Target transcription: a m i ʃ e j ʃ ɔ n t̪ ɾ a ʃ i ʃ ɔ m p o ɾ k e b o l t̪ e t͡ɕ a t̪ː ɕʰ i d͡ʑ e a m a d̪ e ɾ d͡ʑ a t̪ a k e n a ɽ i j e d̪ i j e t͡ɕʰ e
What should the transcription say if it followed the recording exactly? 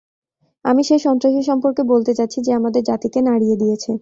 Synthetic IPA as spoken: a m i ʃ e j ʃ ɔ n t̪ ɾ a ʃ i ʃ ɔ m p o ɾ k e b o l t̪ e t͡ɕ a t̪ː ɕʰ i d͡ʑ e a m a d̪ e ɾ d͡ʑ a t̪ i k e n a ɽ i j e d̪ i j e t͡ɕʰ e